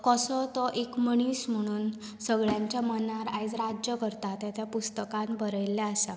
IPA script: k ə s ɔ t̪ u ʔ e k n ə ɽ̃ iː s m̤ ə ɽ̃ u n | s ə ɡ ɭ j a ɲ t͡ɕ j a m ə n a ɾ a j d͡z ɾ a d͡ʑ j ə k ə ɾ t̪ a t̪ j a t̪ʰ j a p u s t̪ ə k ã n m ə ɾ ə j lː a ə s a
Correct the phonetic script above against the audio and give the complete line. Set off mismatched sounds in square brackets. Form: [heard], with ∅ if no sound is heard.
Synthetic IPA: k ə s ɔ t̪ [ɔ] ʔ e k [m] ə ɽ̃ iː s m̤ ə ɽ̃ [uː] n | s ə ɡ ɭ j a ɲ t͡ɕ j a m ə n a ɾ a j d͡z ɾ a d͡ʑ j ə k ə ɾ t̪ a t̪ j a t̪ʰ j a p u s t̪ ə k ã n [b] ə ɾ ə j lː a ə s a